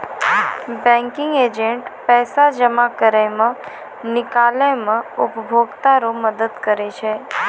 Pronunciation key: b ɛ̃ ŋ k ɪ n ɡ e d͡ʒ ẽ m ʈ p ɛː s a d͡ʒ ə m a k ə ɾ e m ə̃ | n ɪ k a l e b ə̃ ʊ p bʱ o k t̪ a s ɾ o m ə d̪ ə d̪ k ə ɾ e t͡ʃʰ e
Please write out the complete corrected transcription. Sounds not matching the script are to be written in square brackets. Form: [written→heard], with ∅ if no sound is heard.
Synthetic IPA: b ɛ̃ ŋ k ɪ [n→ŋ] ɡ e d͡ʒ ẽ [m→ɳ] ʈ p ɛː s a d͡ʒ ə m a k ə ɾ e m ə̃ | n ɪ k a l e [b→m] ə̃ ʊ p bʱ o [k→ɡ] t̪ a [s→∅] ɾ o m ə d̪ ə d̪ k ə ɾ e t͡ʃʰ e